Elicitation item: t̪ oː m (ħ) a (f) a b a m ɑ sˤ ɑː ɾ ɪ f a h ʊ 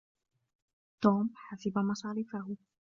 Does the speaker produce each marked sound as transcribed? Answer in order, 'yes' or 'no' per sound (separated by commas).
yes, no